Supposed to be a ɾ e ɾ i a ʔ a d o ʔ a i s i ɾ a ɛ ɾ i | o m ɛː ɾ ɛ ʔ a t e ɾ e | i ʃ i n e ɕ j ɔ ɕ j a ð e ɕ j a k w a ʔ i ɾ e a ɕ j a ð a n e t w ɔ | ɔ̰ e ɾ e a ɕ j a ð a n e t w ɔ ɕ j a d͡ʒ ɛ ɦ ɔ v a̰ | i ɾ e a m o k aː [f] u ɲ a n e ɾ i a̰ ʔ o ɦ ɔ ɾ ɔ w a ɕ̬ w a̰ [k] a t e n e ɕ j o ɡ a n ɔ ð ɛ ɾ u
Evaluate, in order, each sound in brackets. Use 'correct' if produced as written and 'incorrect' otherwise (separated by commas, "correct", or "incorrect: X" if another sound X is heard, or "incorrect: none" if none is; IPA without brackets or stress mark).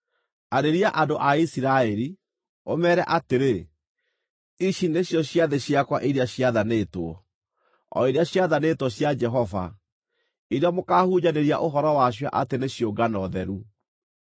incorrect: h, incorrect: ʔ